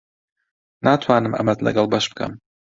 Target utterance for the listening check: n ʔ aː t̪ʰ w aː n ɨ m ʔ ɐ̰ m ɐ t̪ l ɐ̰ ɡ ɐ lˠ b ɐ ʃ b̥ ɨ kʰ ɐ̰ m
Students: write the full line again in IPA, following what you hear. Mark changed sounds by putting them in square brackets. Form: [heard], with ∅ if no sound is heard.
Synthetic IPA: n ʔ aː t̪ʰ w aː n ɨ m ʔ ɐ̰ m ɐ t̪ l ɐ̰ ɡ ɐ lˠ b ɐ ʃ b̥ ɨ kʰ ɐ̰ m